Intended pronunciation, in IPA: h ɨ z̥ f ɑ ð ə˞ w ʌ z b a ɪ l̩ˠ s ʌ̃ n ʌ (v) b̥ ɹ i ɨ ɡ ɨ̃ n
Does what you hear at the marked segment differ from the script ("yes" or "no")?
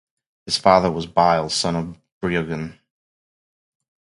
no